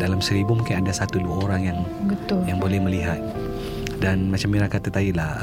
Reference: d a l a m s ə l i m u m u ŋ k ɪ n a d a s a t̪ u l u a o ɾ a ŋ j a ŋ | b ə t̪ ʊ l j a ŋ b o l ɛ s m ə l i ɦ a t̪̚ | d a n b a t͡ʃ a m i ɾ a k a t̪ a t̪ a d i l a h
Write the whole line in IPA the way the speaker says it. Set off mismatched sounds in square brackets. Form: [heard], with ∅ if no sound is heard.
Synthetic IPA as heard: d a l a m s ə [ɾ] i [b] u m u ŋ k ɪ n a d a s a t̪ u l u a o ɾ a ŋ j a ŋ | b ə t̪ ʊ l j a ŋ b o l ɛ [h] m ə l i ɦ a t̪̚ | d a n [m] a t͡ʃ a m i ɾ a k a t̪ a t̪ a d i l a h